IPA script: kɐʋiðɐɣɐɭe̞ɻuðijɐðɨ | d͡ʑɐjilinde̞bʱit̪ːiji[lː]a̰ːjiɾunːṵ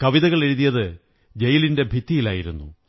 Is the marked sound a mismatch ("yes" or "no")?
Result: yes